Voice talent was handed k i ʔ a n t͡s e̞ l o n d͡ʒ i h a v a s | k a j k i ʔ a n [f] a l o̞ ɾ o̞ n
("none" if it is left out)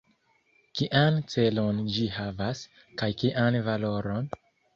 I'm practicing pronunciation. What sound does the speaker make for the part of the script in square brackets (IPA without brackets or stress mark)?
v